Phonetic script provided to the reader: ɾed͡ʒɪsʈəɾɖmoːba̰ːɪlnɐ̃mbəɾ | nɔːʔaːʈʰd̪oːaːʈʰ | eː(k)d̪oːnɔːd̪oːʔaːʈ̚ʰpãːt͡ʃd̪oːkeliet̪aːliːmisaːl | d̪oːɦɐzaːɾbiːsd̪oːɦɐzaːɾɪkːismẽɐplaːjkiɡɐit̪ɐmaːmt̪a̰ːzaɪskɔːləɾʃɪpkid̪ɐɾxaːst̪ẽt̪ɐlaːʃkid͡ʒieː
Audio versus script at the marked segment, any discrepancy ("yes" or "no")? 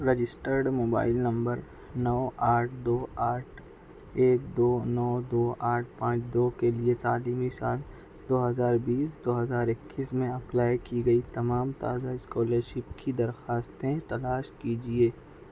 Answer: no